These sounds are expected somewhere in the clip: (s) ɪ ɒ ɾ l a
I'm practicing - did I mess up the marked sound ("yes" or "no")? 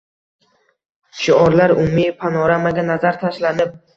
yes